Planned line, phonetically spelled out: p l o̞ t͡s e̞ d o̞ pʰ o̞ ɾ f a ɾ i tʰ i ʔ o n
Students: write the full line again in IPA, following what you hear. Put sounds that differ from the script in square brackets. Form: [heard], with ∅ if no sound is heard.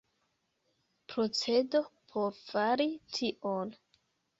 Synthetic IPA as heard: p [ɾ] o̞ t͡s e̞ d o̞ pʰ o̞ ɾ f a ɾ i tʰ i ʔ o n